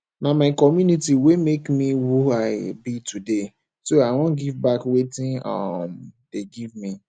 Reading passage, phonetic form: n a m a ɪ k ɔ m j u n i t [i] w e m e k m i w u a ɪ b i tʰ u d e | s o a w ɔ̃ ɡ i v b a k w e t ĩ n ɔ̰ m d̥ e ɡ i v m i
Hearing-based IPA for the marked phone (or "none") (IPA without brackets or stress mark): i